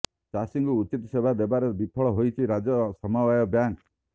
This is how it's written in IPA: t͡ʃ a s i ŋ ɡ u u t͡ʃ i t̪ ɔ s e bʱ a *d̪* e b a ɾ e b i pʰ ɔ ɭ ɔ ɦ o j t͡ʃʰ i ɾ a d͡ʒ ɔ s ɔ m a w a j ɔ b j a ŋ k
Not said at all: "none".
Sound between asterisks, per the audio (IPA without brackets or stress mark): d̪